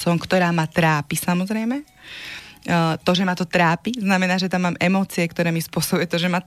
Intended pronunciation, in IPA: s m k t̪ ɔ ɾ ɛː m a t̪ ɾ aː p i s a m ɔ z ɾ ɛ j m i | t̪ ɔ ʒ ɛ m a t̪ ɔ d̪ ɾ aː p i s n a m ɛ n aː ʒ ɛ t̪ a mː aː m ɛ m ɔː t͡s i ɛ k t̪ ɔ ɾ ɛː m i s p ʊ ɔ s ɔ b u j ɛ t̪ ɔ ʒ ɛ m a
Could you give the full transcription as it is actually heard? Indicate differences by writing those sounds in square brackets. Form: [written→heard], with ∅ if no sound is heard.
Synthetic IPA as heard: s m k t̪ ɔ ɾ [ɛː→aː] m a t̪ ɾ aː p i s a m ɔ z ɾ ɛ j m [i→ɛ] | t̪ ɔ ʒ ɛ m a t̪ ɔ [d̪→t̪] ɾ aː p i [s→z] n a m ɛ n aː ʒ ɛ t̪ a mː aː m ɛ m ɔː t͡s i ɛ k t̪ ɔ ɾ ɛː m i s p ʊ ɔ s ɔ b u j ɛ t̪ ɔ ʒ ɛ m a